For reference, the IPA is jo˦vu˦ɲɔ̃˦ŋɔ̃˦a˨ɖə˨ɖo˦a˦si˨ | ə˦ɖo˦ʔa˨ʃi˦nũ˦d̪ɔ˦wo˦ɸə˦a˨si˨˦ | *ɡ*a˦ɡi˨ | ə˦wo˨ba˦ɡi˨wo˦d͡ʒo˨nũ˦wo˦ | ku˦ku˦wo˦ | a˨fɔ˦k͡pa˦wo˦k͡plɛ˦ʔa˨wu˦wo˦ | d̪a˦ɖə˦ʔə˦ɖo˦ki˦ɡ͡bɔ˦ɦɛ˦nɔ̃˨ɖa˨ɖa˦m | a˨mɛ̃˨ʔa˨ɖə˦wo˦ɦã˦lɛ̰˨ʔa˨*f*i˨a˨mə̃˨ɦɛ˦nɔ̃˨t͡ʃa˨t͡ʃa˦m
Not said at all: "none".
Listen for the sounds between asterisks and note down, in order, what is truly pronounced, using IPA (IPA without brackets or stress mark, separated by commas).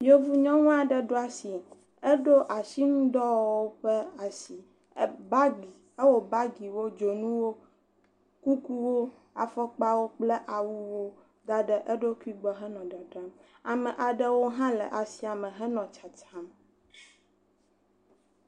b, s